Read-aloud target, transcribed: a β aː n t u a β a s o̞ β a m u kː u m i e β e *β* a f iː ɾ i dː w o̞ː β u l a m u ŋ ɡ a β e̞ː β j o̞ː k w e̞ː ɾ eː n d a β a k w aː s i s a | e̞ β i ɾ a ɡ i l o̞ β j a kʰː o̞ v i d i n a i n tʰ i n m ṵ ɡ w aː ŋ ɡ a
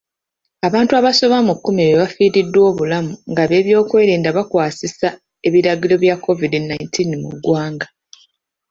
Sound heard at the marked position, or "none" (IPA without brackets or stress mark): β